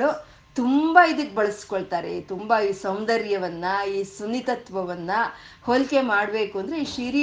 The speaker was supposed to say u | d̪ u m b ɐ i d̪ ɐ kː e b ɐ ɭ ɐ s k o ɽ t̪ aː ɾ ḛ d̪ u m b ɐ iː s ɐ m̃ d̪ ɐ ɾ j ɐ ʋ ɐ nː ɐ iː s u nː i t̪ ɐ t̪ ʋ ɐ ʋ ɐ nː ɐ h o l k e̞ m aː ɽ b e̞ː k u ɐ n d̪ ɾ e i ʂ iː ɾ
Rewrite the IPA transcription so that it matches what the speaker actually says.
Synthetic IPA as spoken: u | t̪ u m b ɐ i d̪ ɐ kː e b ɐ ɭ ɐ s k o ɭ t̪ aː ɾ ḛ t̪ u m b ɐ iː s ɐ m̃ d̪ ɐ ɾ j ɐ ʋ ɐ nː ɐ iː s u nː i t̪ ɐ t̪ ʋ ɐ ʋ ɐ nː ɐ h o l k e̞ m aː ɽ b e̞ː k u ɐ n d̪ ɾ e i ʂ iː ɾ